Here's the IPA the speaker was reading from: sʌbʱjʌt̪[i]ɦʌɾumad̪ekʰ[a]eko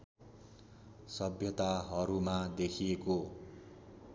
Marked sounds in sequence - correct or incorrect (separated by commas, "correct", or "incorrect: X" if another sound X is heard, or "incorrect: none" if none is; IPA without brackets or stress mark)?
incorrect: a, incorrect: i